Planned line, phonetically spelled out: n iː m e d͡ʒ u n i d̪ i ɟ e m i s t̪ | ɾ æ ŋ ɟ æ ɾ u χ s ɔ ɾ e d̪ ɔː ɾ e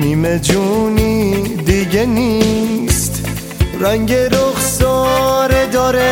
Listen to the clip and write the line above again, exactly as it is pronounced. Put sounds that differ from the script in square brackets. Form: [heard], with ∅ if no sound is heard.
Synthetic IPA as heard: n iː m e d͡ʒ u n i d̪ i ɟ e [n] i s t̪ | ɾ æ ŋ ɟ [e] ɾ [o] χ s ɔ ɾ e d̪ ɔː ɾ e